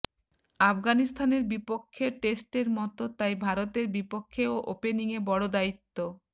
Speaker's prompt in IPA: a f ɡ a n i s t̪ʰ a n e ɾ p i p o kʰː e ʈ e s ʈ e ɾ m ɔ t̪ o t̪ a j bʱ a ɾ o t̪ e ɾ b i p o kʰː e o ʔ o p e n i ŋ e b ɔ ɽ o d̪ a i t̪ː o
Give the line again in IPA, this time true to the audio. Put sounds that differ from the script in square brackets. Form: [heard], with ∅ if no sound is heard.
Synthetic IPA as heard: a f ɡ a n i s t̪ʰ a n e ɾ [b] i p o kʰː e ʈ e s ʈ e ɾ m ɔ t̪ o t̪ a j bʱ a ɾ o t̪ e ɾ b i p o kʰː e o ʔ o p e n i ŋ e b ɔ ɽ o d̪ a i t̪ː o